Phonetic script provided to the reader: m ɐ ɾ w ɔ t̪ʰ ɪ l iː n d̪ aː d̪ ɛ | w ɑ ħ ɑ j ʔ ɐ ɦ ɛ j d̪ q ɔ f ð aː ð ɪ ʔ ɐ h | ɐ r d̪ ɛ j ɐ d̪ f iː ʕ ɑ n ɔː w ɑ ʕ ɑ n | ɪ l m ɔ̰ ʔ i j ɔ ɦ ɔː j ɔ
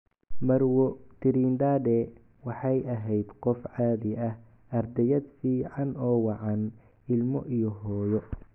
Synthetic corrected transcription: m ɐ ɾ w ɔ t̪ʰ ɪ ɾ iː n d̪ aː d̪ ɛ | w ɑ ħ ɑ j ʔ ɐ ɦ ɛ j d̪ q ɔ f ʕ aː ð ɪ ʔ ɐ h | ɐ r d̪ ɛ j ɐ d̪ f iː ʕ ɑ n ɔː w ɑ ʕ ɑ n | ɪ l m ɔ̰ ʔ i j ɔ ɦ ɔː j ɔ